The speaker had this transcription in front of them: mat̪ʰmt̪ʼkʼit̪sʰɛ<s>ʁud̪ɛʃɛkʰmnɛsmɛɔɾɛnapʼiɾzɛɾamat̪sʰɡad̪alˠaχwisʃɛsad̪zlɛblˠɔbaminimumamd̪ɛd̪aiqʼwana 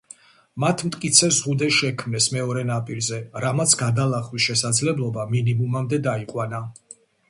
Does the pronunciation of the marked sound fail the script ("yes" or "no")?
yes